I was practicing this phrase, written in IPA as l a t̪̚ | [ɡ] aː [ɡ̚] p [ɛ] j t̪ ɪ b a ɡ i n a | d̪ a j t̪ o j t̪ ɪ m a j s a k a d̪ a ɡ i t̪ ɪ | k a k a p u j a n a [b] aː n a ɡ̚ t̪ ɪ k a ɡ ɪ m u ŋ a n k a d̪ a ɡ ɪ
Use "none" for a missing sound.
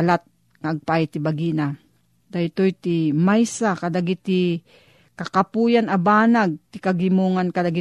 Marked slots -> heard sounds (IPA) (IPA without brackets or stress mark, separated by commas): ŋ, ɡ̚, a, b